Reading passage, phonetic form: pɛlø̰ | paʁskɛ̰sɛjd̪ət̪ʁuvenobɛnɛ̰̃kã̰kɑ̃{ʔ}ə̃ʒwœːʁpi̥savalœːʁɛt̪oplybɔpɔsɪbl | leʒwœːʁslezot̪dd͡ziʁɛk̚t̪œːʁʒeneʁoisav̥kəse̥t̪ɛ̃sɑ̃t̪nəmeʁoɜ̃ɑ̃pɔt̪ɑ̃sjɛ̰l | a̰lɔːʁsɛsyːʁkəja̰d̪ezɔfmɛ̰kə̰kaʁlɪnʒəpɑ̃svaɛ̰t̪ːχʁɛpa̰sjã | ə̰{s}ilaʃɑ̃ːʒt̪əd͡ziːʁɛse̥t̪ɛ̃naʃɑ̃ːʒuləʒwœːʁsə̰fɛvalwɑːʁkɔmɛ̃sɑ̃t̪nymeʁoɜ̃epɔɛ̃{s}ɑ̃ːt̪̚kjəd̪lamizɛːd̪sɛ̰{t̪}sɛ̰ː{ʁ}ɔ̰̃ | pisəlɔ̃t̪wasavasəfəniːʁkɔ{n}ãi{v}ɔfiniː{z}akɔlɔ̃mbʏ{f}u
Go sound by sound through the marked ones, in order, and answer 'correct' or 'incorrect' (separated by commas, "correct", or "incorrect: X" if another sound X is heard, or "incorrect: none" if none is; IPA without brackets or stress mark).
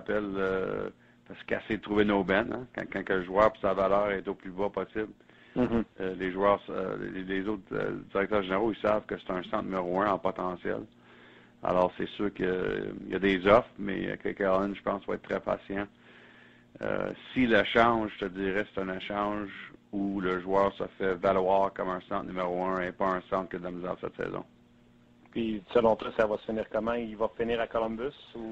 incorrect: k, correct, correct, correct, incorrect: z, incorrect: m, correct, incorrect: ʁ, incorrect: s